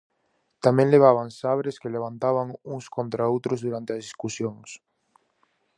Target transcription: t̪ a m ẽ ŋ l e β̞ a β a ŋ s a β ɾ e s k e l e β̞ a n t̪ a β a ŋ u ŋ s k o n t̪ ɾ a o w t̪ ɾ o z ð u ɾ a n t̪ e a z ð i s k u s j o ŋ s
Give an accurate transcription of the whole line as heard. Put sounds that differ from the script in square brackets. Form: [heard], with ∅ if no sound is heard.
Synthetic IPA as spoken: t̪ a m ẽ ŋ l e β̞ a β a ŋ s a β ɾ e s k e l e β̞ a n t̪ a β a ŋ u ŋ s k o n t̪ ɾ a o w t̪ ɾ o z ð u ɾ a n t̪ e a z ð i s k u s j o ŋ s